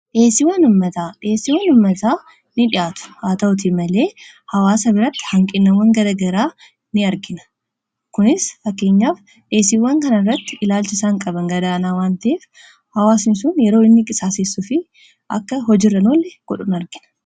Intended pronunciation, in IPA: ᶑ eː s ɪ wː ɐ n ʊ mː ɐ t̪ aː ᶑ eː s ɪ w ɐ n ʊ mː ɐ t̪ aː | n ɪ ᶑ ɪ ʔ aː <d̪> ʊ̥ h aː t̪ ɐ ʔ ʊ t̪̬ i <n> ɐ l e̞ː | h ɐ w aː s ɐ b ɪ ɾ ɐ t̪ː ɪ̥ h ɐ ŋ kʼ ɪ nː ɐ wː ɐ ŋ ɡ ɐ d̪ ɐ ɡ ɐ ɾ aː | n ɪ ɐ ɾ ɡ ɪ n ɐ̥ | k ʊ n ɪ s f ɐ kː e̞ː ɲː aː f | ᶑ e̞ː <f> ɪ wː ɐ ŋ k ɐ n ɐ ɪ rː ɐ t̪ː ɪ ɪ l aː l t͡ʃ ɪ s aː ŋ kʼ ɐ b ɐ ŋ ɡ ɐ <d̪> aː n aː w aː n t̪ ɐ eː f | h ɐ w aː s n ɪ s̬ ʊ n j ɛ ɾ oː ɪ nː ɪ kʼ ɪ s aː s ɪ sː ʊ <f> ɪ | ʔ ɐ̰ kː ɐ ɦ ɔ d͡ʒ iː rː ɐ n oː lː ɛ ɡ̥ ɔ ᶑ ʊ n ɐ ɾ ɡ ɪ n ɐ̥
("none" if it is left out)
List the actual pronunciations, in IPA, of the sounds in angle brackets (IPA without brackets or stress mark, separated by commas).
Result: t̪, m, s, d̪, f